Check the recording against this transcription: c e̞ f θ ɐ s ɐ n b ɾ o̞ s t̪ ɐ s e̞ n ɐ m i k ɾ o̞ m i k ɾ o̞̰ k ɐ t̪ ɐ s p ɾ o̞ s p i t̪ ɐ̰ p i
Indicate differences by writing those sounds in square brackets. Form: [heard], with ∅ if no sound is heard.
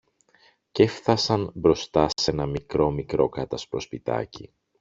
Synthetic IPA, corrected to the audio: c e̞ f θ ɐ s ɐ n b ɾ o̞ s t̪ ɐ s e̞ n ɐ m i k ɾ o̞ m i k ɾ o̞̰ k ɐ t̪ ɐ s p ɾ o̞ s p i t̪ ɐ̰ [c] i